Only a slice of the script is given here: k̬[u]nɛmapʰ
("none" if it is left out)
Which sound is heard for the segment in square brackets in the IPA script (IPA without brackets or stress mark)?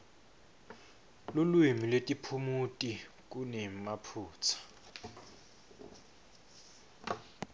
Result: u